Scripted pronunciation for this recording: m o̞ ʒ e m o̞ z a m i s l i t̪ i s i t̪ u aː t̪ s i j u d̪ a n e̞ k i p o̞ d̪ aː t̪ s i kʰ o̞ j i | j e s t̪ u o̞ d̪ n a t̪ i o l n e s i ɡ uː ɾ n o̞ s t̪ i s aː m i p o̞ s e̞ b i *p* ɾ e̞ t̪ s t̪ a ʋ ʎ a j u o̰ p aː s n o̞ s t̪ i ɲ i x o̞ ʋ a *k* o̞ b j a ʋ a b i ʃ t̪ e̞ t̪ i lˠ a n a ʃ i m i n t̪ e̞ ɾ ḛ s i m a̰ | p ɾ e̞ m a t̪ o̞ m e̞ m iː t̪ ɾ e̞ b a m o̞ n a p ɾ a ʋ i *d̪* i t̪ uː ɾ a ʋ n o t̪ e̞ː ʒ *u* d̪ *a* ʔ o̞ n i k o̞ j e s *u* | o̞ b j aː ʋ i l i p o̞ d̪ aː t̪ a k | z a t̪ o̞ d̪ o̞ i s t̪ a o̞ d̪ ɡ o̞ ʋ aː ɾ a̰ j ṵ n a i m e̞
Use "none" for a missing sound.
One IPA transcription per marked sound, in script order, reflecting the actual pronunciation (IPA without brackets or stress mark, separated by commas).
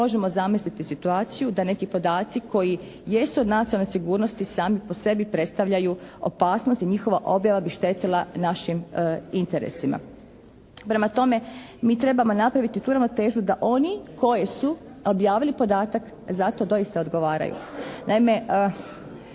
p, ʔ, t̪, u, a, u